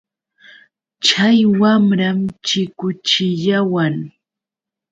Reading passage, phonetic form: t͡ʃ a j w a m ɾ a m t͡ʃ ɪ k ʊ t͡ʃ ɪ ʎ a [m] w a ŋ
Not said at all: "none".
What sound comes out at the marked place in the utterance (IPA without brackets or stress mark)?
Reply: none